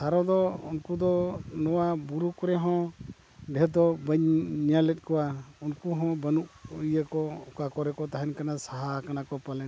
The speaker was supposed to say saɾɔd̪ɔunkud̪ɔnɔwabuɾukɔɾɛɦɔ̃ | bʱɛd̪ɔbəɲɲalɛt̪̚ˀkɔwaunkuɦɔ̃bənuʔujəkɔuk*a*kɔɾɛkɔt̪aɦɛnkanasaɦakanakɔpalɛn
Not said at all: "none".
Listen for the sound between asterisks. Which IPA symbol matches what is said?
a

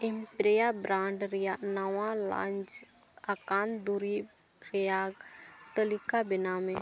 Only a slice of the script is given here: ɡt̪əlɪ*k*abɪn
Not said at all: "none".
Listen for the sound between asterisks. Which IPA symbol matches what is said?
k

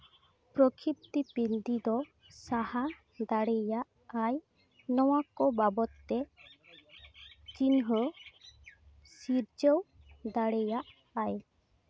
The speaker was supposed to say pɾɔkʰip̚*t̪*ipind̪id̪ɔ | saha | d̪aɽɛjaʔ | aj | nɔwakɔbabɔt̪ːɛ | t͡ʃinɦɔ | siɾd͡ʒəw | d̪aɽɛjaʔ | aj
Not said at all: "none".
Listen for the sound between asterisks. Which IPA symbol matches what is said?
t̪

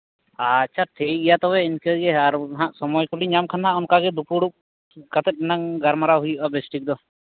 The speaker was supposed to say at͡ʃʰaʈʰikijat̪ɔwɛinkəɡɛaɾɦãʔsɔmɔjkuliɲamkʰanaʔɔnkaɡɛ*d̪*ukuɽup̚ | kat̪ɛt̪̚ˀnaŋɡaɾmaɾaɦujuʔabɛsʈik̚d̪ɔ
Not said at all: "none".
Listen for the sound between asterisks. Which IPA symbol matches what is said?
d̪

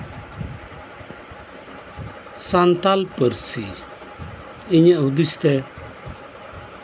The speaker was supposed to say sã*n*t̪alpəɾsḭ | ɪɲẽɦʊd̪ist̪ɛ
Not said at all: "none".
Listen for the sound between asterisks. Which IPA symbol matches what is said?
n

